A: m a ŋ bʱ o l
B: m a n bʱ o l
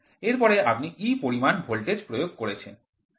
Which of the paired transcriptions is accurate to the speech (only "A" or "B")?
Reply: B